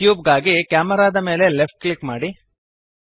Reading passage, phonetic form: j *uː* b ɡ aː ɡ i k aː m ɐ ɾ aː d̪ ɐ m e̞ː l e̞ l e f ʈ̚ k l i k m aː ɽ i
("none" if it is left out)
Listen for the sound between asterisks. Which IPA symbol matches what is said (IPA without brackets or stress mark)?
uː